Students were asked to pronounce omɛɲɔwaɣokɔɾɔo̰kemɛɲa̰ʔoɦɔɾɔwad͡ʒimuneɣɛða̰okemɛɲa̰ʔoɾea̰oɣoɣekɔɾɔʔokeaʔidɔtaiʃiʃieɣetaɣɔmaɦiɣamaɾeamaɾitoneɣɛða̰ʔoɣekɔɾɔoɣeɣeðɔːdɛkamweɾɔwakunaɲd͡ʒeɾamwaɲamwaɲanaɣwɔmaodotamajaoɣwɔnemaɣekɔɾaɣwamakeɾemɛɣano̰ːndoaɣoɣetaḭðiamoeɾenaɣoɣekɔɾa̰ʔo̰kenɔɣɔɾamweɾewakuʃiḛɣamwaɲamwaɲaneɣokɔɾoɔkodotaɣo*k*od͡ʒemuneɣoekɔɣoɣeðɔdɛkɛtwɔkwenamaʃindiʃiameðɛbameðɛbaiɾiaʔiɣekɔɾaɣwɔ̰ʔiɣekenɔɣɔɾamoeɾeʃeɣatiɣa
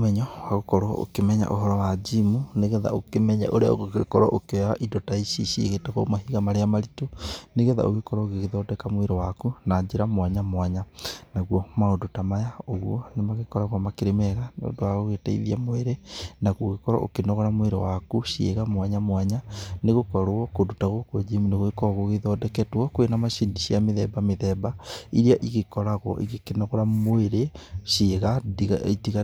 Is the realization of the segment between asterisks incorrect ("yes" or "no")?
no